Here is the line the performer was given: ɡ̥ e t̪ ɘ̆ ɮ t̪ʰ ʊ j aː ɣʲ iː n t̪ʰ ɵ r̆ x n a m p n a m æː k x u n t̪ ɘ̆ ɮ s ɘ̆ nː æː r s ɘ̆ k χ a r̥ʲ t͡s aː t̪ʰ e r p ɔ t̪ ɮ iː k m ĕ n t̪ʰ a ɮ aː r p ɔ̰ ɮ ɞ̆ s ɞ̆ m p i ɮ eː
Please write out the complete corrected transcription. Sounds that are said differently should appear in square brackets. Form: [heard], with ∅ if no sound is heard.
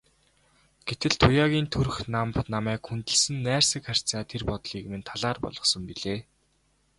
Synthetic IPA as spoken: ɡ̥ e t̪ ɘ̆ ɮ t̪ʰ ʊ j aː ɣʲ iː n t̪ʰ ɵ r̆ x n a m p n a m æː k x u n t̪ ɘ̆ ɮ s ɘ̆ nː æː r s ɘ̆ k χ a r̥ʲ t͡s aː t̪ʰ e r p ɔ t̪ ɮ iː k m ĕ n t̪ʰ a ɮ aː r p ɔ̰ ɮ ɞ̆ s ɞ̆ m p i ɮ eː